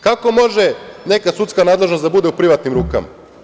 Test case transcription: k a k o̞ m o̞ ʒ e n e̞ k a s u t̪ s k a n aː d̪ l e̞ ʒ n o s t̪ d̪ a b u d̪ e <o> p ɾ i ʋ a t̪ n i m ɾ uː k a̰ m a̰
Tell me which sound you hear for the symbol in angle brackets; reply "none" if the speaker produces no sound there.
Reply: u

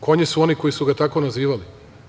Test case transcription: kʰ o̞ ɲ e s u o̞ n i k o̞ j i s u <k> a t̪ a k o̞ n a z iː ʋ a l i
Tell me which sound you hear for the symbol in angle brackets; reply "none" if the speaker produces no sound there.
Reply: ɡ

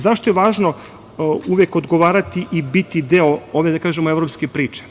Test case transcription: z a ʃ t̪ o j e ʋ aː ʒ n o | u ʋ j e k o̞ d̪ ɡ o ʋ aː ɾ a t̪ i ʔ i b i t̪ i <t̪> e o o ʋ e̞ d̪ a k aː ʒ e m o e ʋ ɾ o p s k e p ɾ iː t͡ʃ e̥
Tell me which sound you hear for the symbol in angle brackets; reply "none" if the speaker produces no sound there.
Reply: d̪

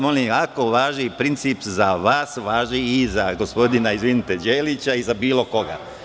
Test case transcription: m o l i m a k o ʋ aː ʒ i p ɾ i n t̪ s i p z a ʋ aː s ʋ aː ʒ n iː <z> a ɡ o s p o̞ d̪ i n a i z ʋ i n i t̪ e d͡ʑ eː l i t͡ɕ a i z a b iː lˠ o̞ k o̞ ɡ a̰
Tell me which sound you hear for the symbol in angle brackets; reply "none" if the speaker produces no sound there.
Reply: z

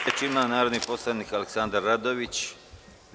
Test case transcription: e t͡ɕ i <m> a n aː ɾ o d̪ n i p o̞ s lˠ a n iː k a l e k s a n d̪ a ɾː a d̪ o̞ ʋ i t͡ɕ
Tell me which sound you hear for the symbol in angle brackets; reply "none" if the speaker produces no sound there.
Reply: m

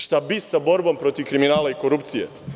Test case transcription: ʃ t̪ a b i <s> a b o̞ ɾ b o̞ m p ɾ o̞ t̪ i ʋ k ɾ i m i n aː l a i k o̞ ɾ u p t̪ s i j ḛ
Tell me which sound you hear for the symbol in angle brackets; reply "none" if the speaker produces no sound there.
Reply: s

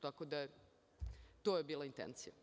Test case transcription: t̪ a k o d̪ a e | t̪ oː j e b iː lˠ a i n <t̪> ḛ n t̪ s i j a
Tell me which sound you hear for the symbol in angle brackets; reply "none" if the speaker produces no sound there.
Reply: t̪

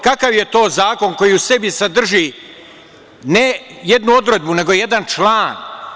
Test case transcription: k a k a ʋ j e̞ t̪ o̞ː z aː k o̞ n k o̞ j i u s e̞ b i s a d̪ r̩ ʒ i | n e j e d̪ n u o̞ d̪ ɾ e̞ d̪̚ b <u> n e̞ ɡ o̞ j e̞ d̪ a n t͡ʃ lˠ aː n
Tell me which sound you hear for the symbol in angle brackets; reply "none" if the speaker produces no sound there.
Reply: u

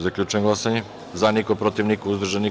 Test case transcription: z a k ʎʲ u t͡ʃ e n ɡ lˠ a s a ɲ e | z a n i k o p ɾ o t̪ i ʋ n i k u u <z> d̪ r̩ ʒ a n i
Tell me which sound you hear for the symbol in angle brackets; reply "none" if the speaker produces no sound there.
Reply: z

